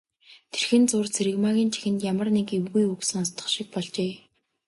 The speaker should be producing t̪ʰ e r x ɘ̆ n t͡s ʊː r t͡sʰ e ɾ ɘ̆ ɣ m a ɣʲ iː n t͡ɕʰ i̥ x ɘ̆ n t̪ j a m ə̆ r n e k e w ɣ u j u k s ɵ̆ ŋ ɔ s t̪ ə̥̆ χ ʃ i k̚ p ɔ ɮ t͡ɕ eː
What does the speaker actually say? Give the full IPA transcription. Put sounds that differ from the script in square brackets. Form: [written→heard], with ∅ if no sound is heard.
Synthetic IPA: t̪ʰ e r x ɘ̆ n t͡s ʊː r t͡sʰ e ɾ ɘ̆ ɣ m a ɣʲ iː n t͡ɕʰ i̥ x ɘ̆ n t̪ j a m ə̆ r n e k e w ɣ u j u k s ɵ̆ ŋ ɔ s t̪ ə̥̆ χ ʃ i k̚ p ɔ ɮ t͡ɕ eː